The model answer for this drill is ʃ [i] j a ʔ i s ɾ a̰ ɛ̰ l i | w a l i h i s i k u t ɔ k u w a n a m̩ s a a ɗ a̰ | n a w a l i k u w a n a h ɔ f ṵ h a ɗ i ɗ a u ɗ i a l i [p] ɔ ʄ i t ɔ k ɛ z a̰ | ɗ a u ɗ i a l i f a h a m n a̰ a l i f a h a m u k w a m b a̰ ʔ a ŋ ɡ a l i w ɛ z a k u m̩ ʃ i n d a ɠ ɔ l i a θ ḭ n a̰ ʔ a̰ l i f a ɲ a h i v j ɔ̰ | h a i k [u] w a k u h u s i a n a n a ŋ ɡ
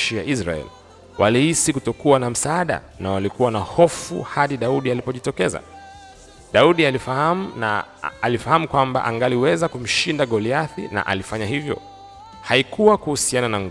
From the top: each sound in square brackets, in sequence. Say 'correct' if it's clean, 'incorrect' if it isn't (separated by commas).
correct, correct, correct